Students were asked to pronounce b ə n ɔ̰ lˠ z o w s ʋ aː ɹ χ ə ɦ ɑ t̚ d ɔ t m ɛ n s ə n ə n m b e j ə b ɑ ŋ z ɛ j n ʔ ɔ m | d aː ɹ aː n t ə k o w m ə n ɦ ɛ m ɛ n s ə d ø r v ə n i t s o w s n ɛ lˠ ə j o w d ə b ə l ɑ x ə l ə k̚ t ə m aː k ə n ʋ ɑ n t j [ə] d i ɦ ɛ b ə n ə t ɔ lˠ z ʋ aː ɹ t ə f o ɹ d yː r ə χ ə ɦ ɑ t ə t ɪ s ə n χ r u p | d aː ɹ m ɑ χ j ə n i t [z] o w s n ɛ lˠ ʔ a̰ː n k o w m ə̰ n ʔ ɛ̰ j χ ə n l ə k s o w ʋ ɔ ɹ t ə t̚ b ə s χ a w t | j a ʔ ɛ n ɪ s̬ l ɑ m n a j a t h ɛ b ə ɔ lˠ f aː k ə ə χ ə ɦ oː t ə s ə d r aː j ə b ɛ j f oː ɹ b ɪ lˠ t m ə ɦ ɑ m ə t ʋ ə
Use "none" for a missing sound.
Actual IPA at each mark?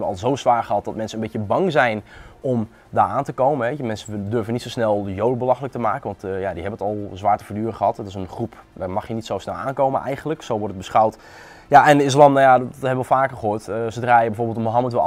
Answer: a, s

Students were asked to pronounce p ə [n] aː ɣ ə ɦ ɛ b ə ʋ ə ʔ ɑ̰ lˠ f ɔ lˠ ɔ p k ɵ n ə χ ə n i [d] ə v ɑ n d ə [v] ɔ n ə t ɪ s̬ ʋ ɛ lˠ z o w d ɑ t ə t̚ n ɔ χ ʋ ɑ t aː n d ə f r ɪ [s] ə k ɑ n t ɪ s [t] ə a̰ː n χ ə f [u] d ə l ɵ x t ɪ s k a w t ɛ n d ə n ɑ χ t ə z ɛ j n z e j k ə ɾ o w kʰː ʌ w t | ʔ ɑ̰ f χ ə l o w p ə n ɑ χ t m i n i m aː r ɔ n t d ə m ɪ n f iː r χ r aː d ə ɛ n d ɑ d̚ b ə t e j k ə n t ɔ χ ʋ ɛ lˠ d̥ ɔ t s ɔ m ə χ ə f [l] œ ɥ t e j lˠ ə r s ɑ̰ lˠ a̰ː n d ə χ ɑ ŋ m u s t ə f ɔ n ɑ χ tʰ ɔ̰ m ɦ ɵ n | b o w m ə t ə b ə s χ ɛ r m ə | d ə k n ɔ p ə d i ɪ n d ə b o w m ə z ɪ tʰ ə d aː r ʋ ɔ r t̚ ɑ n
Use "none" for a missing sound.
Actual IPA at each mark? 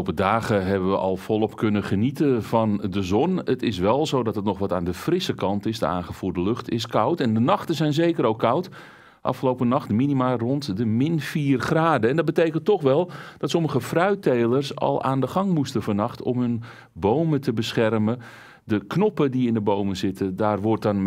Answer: d, t, z, s, d, uː, r

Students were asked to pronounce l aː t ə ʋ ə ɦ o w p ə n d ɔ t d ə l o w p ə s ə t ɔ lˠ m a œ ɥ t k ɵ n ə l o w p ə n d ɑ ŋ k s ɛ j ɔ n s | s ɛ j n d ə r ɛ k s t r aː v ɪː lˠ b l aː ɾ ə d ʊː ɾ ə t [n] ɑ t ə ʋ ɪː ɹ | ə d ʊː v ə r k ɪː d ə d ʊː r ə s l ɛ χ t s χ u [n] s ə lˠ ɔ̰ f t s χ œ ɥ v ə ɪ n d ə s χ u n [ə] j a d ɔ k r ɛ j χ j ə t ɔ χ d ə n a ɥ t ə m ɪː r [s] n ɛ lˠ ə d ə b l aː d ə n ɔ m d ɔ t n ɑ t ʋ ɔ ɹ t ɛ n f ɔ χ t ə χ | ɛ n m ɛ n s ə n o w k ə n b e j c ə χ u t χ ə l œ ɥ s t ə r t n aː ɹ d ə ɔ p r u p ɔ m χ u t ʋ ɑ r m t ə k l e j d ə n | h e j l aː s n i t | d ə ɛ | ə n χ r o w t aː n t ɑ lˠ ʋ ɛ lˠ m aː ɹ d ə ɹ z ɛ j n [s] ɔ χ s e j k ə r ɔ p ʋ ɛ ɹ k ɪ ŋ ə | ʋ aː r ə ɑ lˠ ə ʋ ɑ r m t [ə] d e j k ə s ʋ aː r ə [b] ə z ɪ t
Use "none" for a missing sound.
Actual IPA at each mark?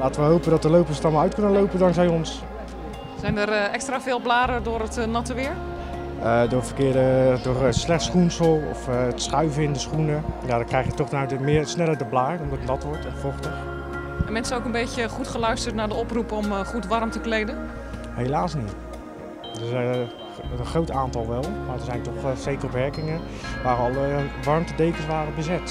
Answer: n, n, ə, s, t, ə, b

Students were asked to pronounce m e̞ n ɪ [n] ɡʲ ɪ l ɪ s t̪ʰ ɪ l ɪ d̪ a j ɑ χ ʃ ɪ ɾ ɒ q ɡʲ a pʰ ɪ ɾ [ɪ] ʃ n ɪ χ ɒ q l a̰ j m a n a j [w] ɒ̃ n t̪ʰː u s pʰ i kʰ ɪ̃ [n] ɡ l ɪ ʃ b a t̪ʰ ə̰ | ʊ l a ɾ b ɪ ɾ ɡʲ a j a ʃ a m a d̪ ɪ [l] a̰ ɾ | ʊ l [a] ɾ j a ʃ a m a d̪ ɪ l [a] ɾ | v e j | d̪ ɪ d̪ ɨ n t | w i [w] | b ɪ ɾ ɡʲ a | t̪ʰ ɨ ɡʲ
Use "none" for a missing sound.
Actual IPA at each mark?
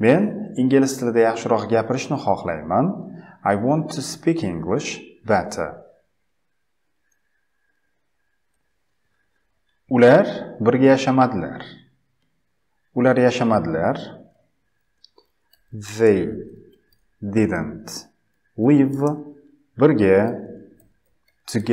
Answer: ŋ, ɪ, w, ŋ, l, a, a, v

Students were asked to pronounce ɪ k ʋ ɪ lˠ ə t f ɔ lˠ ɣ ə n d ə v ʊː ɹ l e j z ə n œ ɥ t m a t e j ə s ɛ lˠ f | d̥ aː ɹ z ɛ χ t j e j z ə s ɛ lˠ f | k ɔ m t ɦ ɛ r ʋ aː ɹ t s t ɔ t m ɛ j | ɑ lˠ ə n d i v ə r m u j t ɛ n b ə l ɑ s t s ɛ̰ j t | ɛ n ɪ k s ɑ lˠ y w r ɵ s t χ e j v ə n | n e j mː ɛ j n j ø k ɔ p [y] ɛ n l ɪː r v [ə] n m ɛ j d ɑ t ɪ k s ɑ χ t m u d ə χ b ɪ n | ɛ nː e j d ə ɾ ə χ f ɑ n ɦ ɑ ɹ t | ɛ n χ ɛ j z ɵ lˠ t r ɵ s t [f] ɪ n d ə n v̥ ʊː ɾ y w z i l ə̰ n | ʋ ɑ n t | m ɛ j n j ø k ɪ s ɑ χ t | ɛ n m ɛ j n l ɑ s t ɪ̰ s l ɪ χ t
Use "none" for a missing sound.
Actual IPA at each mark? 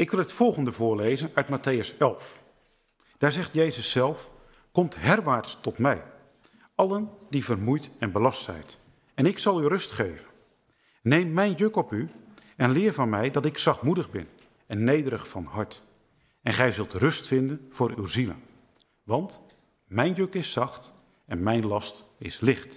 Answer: y, ɑ, f

